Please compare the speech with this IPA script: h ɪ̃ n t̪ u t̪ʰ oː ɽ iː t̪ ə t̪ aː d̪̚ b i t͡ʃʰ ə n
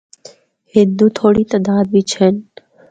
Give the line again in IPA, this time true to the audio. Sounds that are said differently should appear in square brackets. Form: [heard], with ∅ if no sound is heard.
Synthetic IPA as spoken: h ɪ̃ n [d̪] u t̪ʰ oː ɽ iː t̪ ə [d̪] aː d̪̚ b i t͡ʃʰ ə n